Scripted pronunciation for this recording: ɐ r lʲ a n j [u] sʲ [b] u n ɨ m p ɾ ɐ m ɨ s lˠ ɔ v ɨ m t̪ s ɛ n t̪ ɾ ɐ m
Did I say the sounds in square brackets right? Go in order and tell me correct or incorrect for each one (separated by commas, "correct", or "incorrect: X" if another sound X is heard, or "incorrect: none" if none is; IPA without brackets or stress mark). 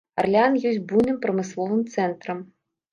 incorrect: ɔ, correct